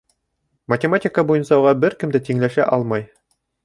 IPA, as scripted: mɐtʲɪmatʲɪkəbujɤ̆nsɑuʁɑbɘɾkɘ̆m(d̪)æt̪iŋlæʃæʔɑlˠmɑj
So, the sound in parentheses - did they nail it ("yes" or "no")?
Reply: yes